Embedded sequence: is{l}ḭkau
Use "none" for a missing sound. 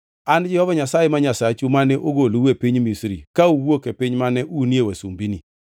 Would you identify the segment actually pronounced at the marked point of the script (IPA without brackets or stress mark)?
ɾ